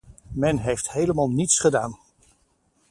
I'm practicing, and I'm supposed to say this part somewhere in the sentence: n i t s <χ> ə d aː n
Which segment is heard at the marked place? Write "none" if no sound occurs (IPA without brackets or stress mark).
χ